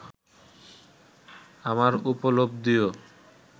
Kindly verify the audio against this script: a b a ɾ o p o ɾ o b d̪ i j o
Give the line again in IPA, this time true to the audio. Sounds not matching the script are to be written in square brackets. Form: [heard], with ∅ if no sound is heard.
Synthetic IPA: a [m] a ɾ [u] p o [l] o b d̪ i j o